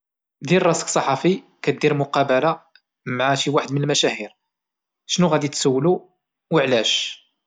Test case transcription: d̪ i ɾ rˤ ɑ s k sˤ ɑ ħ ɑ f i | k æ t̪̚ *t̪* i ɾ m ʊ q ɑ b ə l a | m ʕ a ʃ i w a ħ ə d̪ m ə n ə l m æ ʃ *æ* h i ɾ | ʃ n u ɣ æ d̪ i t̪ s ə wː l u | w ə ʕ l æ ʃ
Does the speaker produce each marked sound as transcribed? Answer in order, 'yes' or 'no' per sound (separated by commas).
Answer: no, yes